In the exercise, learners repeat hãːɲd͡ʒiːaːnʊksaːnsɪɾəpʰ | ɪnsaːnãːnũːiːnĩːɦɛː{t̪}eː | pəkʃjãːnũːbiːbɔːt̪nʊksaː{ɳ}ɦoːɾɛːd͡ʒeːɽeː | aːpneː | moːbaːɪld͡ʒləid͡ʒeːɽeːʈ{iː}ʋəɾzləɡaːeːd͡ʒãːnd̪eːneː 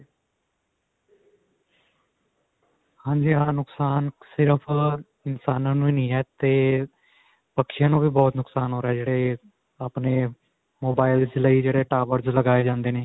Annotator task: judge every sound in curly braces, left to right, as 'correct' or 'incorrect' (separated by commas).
correct, incorrect, incorrect